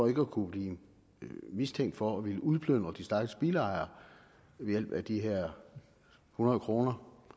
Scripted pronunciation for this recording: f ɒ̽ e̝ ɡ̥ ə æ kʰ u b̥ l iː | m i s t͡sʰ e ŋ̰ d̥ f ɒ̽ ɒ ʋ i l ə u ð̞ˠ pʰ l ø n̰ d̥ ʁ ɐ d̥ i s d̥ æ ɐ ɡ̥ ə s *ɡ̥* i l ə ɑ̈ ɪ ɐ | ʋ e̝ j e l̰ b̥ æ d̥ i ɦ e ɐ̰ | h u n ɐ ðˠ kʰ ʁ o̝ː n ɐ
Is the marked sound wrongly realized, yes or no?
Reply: yes